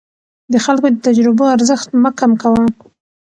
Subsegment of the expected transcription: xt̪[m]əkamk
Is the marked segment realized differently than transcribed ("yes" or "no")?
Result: no